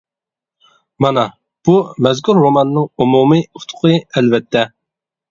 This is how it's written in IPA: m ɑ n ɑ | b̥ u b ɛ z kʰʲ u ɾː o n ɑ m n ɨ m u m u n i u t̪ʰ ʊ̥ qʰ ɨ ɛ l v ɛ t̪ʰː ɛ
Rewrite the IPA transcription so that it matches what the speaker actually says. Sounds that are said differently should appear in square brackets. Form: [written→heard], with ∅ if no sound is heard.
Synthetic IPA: m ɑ n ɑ | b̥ u [b→m] ɛ z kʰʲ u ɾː o [n→m] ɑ [m→n] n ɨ [m→ŋ] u m u [n→m] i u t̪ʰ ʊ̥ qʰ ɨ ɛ l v ɛ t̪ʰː ɛ